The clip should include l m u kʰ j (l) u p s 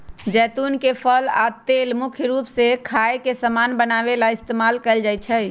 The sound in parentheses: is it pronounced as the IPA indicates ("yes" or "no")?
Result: no